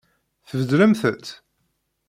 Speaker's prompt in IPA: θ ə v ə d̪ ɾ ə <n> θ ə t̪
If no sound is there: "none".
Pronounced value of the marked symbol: m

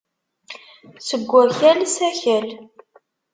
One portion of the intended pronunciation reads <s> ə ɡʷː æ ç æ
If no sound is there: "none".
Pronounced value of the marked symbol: s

